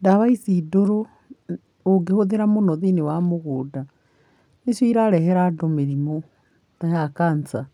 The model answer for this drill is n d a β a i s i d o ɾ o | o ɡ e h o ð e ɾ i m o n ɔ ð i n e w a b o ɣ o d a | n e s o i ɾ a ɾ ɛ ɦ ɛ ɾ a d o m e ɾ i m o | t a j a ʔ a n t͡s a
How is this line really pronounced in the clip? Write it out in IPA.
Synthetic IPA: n d a β a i s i d o ɾ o | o ɡ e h o ð e ɾ a m o n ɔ ð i n e w a m o ɣ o d a | n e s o i ɾ a ɾ ɛ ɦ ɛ ɾ a d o m e ɾ i m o | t a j a k a n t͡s a